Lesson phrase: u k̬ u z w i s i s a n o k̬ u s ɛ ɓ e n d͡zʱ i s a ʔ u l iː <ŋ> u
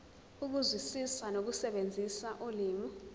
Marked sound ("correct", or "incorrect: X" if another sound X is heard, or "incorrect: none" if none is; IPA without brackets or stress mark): incorrect: m